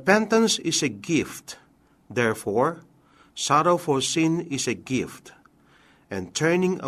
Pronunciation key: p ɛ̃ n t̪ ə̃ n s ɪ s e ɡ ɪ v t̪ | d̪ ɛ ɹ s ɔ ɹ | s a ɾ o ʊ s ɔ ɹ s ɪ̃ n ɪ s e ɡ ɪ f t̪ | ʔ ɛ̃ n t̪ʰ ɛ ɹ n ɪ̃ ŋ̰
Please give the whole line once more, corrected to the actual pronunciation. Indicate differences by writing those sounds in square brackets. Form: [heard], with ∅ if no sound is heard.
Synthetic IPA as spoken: p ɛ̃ n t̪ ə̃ n s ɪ s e ɡ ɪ [f] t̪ | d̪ ɛ ɹ [f] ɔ ɹ | s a ɾ o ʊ [f] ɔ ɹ s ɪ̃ n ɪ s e ɡ ɪ f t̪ | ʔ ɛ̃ n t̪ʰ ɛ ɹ n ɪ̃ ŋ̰